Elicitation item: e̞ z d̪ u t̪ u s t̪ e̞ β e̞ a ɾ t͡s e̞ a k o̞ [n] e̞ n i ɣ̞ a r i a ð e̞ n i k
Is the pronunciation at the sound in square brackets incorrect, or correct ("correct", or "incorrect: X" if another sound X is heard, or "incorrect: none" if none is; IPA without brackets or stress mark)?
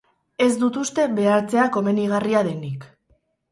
incorrect: m